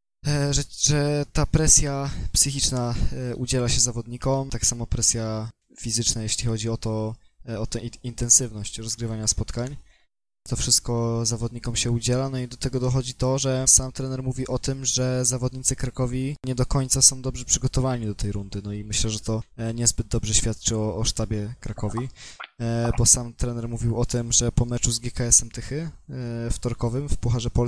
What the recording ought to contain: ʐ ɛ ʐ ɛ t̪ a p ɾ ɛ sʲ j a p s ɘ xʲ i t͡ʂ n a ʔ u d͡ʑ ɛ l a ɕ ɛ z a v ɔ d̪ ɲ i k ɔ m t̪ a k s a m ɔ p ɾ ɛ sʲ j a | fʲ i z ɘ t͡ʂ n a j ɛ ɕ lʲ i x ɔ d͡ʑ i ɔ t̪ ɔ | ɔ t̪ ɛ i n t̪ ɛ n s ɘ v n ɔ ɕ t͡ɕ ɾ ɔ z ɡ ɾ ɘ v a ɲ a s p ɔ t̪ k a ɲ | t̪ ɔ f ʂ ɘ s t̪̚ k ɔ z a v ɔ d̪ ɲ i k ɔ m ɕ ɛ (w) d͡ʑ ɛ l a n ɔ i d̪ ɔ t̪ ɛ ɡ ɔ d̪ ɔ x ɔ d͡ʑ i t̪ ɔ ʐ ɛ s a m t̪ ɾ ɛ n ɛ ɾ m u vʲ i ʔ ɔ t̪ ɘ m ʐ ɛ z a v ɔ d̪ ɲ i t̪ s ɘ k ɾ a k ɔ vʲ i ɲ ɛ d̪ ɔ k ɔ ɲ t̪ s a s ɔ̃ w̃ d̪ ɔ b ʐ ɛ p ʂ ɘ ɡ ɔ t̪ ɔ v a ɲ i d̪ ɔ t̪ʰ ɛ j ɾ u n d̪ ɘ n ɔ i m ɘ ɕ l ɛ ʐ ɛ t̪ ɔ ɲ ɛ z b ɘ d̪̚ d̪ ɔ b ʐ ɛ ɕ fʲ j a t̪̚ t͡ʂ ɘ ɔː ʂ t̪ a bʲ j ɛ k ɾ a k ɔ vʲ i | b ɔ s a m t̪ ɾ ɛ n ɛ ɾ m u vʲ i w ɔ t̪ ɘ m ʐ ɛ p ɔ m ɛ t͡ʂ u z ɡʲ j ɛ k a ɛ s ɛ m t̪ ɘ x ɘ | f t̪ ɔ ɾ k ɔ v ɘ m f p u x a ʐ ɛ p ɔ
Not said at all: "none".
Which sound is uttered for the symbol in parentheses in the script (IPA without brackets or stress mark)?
u